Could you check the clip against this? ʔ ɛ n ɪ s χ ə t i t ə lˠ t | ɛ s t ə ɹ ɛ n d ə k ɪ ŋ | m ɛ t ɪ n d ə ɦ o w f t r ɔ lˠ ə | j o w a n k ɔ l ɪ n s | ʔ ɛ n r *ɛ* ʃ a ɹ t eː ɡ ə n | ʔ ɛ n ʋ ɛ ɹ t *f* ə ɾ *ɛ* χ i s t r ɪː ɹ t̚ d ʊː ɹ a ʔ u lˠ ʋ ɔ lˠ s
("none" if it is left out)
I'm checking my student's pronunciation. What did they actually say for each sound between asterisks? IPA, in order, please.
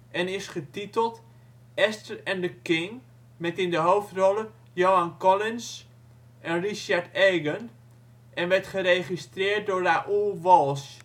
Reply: i, χ, e

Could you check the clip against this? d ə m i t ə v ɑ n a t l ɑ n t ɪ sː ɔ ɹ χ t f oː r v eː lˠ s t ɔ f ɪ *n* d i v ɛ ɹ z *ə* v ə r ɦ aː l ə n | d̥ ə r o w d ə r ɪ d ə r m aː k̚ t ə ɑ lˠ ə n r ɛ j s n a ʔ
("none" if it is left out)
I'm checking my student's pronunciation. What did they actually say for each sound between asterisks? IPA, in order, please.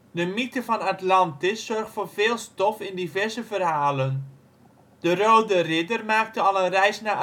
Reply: n, ə

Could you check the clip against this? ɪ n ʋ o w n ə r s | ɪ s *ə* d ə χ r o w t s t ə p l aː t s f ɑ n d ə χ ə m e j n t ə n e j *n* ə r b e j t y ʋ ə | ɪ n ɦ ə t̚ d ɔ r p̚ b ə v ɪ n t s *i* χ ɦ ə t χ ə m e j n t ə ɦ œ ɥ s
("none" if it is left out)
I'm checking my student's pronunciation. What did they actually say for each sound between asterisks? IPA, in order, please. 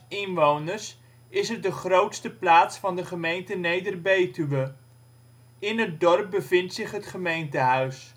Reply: ə, d, ɪ

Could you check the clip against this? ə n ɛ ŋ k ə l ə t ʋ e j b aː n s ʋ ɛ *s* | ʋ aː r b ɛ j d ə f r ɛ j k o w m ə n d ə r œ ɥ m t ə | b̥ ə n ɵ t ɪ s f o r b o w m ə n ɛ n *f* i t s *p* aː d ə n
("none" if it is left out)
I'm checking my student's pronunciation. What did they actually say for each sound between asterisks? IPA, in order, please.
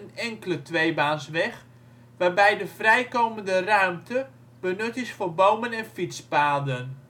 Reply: x, f, p

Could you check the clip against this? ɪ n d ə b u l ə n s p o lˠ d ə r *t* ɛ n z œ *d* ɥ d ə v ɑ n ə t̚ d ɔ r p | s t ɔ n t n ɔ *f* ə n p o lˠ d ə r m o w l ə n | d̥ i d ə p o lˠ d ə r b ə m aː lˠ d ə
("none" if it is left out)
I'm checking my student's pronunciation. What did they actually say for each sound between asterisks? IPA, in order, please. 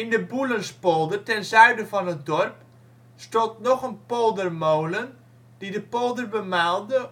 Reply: t, none, χ

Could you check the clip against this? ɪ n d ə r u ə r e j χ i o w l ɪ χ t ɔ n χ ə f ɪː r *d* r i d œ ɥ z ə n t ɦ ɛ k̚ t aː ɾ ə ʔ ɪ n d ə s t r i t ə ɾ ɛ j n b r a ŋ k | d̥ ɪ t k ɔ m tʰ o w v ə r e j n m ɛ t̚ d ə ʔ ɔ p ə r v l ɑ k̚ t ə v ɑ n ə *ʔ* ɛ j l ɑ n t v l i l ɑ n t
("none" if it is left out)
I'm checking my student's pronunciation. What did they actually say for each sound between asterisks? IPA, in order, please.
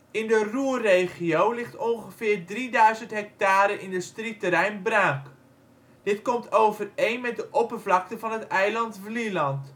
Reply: d, t

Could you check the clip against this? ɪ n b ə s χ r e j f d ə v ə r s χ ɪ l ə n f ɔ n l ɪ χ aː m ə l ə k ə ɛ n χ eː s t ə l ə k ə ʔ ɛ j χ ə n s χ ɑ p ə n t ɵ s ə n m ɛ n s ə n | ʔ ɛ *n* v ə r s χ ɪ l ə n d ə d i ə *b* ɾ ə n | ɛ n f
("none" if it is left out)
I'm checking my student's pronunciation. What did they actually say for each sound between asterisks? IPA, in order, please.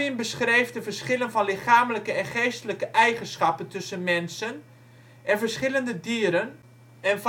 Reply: n, none

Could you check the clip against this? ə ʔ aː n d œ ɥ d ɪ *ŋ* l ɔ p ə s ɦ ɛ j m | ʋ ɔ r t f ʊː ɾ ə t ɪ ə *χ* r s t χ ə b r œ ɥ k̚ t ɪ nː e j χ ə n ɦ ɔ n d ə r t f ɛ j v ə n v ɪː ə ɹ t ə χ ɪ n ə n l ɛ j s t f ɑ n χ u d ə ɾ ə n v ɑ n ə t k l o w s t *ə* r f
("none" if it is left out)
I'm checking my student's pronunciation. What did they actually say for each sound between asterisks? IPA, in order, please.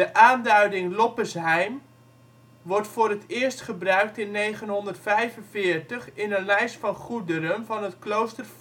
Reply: ŋ, none, ə

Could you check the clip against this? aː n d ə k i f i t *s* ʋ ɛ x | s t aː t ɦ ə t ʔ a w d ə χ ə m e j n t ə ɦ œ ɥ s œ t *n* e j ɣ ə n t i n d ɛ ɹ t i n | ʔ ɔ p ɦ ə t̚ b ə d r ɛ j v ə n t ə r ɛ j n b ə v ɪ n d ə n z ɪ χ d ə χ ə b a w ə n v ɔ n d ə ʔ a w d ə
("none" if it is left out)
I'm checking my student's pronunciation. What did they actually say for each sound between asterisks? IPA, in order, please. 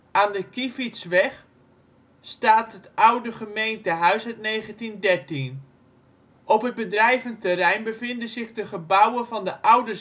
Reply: s, n

